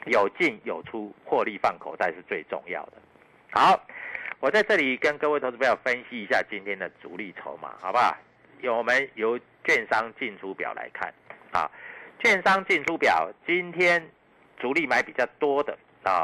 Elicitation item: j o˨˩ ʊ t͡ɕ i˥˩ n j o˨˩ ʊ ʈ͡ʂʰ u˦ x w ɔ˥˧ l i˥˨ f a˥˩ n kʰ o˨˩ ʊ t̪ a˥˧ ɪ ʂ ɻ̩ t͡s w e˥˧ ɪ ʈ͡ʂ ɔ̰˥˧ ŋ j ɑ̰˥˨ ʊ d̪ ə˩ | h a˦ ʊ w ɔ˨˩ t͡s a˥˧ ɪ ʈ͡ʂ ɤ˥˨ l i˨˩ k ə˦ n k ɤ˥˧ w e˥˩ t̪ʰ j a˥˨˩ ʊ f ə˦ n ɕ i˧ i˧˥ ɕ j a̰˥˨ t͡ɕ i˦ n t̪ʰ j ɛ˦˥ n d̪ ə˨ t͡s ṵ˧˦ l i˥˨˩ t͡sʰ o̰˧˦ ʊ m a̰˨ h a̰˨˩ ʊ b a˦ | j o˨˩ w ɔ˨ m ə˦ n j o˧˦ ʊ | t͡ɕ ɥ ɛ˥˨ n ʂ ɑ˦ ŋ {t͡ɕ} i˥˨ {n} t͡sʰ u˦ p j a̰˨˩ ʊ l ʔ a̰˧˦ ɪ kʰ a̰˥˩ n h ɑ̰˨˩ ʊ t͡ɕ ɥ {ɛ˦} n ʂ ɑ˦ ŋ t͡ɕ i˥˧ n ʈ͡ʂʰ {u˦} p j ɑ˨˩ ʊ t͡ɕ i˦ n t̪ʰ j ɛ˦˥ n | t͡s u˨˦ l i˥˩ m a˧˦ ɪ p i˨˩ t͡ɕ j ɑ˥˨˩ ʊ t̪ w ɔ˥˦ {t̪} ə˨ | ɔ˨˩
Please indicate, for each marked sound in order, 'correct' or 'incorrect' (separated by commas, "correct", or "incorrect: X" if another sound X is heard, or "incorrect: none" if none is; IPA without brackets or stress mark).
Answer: correct, correct, incorrect: ɛ˥˨, correct, incorrect: d̪